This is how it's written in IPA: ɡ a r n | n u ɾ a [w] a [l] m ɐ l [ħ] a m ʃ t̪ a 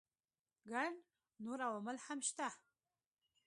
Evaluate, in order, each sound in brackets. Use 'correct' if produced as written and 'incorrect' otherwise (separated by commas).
correct, incorrect, correct